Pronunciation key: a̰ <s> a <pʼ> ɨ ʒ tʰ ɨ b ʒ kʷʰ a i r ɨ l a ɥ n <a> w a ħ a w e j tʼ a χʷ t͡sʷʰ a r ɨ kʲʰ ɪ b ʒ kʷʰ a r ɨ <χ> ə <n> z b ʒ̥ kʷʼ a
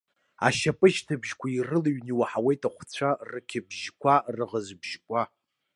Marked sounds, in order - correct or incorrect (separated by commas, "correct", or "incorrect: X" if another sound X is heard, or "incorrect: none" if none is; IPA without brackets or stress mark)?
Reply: incorrect: ʃ, correct, incorrect: i, incorrect: ʁ, incorrect: none